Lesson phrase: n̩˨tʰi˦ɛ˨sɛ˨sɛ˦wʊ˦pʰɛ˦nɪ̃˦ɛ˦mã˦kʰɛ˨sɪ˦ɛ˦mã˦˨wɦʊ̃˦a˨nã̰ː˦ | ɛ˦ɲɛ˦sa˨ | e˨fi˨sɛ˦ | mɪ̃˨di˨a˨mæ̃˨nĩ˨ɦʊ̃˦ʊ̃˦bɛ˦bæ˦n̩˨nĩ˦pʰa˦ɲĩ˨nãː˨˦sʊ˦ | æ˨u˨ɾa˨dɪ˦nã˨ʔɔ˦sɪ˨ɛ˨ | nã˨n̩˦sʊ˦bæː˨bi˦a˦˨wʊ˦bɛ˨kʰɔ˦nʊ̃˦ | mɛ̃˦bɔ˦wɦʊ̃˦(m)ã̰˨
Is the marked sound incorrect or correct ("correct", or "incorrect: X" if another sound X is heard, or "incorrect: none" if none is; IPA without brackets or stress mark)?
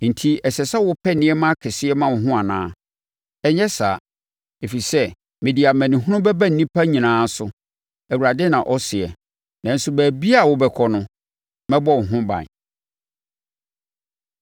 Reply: incorrect: b